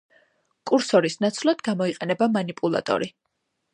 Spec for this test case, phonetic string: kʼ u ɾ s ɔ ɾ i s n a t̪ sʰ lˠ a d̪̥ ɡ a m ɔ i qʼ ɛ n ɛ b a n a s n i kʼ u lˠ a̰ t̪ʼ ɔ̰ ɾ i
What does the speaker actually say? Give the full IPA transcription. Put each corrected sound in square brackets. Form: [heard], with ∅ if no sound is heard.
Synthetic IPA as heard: kʼ u ɾ s ɔ ɾ i s n a t̪ sʰ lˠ a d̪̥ ɡ a m ɔ i qʼ ɛ n ɛ b a [m] a [∅] n i [pʼ] u lˠ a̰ t̪ʼ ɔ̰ ɾ i